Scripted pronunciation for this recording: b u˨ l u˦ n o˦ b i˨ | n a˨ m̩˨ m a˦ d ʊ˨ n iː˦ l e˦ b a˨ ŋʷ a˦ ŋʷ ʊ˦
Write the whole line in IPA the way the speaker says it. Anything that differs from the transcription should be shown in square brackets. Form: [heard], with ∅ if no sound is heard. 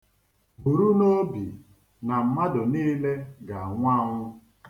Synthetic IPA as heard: b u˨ [ɾ] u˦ n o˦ b i˨ | n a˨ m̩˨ m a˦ d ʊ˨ n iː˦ l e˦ [ɡ] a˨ ŋʷ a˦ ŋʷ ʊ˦